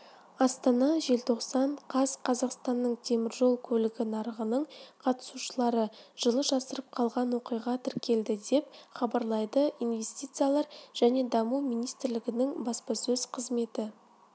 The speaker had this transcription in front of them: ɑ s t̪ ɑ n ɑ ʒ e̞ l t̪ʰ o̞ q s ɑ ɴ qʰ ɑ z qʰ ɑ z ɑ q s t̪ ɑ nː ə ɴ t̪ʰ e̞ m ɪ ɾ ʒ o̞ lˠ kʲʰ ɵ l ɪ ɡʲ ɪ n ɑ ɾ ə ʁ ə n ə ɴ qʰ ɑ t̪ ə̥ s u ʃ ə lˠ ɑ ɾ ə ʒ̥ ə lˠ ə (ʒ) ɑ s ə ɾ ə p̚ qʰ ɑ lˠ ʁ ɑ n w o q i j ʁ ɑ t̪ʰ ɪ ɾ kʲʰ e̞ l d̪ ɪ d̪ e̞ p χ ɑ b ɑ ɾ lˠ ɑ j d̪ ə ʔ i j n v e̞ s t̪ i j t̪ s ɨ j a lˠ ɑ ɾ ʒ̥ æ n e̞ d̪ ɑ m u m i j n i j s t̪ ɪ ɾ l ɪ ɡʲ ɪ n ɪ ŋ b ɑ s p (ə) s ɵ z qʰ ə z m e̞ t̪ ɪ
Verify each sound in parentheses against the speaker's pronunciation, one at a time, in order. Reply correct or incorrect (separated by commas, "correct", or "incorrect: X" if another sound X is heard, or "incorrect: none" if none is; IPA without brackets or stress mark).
correct, incorrect: ɑ